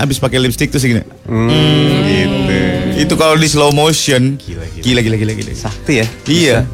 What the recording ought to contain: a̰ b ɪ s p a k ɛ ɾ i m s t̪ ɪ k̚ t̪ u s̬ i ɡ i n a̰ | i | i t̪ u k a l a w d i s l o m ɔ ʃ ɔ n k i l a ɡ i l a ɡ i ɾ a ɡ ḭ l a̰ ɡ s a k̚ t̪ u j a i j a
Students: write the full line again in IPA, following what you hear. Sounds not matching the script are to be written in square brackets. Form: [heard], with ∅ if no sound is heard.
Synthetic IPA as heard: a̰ b ɪ s p a k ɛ [l] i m s t̪ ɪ k̚ t̪ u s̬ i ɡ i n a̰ | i | i t̪ u k a l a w d i s l o m [o] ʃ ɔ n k i l a ɡ i l a ɡ i [l] a ɡ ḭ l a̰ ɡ s a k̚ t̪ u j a i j a